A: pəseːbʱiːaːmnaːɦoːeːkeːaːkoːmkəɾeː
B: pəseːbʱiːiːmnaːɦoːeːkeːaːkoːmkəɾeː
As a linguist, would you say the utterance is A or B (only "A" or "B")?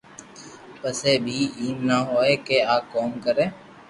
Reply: B